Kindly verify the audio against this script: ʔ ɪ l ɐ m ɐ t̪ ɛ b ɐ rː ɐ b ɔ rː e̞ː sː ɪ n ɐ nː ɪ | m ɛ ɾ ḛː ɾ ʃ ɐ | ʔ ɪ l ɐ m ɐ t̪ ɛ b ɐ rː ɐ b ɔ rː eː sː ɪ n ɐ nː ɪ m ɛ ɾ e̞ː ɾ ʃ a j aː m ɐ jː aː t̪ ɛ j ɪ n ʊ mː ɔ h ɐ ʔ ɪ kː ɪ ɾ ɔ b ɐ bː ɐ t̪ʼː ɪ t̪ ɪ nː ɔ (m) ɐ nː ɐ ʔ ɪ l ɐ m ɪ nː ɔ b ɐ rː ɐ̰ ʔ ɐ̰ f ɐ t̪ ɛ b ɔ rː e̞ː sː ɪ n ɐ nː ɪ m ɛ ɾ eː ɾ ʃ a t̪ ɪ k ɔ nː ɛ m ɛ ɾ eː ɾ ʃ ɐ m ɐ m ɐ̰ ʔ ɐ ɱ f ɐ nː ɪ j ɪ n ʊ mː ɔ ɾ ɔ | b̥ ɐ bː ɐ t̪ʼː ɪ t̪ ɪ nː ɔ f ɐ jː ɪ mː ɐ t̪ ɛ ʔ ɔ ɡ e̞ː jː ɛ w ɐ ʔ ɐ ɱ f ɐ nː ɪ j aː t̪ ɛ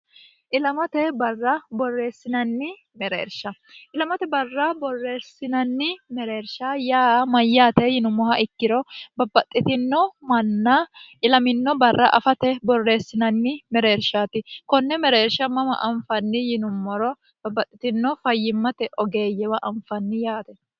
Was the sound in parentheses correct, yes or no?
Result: yes